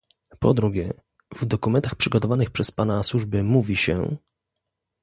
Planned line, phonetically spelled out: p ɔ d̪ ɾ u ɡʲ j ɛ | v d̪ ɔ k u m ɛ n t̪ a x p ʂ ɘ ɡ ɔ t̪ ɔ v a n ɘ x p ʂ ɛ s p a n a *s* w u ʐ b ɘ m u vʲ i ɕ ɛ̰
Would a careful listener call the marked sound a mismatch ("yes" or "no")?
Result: no